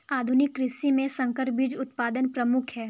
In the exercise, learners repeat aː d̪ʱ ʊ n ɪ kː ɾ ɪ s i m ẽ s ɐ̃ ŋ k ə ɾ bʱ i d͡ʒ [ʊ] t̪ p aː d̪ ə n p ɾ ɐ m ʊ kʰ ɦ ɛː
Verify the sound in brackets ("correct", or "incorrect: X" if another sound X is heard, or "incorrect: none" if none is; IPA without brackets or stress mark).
correct